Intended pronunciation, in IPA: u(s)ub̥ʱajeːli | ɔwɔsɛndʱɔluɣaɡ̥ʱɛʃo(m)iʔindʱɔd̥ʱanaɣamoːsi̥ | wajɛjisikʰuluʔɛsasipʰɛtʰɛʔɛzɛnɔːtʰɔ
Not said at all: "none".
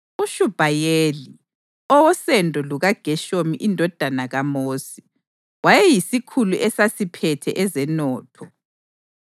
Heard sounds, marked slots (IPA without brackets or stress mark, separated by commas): ʃ, m